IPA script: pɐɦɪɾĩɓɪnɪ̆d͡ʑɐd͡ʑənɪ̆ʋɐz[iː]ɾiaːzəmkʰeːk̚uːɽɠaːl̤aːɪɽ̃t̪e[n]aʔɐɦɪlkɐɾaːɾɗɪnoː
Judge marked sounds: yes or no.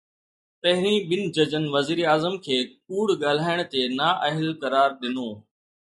yes, yes

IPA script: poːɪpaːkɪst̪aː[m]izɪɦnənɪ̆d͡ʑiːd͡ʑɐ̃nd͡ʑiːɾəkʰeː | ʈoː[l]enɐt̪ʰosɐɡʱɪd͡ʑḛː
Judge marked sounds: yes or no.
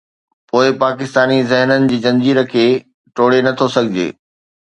no, no

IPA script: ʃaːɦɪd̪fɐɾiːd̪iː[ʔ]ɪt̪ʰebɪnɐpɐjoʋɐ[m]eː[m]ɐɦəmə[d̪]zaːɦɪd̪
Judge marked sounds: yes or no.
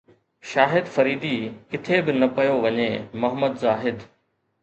no, no, yes, yes

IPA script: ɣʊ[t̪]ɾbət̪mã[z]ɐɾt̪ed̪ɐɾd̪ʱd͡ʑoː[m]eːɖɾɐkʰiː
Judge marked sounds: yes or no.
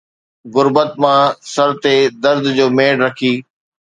no, no, yes

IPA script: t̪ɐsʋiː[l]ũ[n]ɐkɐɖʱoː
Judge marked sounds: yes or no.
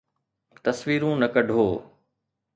no, yes

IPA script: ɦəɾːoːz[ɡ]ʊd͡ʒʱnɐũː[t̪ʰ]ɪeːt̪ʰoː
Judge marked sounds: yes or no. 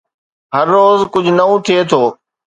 no, yes

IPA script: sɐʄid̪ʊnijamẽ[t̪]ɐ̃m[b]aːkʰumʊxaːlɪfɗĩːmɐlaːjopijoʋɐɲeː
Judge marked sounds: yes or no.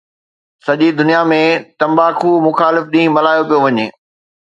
yes, yes

